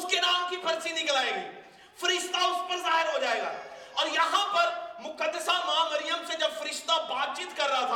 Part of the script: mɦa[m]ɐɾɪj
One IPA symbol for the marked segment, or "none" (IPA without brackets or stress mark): m